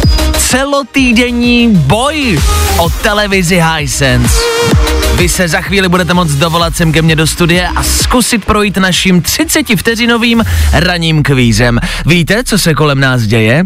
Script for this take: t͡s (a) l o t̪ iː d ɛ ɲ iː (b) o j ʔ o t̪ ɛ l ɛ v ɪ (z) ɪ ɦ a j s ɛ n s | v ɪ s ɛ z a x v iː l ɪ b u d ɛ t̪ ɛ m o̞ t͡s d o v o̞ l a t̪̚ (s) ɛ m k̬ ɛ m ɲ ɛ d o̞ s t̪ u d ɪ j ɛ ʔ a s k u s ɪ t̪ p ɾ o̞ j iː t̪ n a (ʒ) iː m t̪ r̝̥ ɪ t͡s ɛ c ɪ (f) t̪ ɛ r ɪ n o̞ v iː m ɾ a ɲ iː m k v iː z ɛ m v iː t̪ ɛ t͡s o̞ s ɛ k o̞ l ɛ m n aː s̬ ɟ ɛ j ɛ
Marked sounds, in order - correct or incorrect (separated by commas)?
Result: incorrect, correct, correct, correct, incorrect, correct